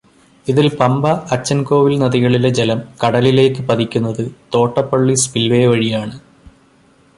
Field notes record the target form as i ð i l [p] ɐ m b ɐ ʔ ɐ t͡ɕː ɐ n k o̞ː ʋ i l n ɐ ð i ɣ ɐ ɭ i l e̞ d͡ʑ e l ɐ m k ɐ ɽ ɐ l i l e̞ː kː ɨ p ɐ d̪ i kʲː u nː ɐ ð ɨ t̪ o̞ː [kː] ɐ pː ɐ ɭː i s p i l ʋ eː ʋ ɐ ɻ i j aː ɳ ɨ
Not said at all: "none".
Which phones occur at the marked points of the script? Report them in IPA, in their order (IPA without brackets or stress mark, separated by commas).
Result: p, ʈː